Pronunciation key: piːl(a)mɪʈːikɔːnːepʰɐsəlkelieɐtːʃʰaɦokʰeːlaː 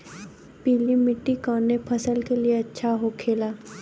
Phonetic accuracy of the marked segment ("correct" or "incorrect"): incorrect